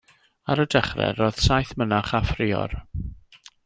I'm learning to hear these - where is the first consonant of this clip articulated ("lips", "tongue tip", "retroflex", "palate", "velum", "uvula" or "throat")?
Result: tongue tip